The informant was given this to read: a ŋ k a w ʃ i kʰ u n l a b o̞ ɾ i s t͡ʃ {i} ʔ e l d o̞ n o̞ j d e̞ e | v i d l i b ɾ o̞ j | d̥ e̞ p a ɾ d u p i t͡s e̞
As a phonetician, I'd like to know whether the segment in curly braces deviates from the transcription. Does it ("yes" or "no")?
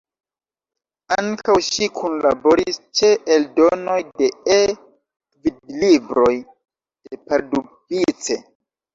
yes